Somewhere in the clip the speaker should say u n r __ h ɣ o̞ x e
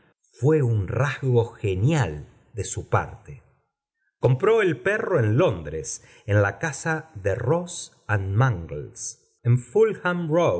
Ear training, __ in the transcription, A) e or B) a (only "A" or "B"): B